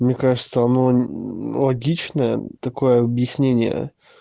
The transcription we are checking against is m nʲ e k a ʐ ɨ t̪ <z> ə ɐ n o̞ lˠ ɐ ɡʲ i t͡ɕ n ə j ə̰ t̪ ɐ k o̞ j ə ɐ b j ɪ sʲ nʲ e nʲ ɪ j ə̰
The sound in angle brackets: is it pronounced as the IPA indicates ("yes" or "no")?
no